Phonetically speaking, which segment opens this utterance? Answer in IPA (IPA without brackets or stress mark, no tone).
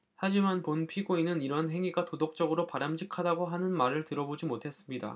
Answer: h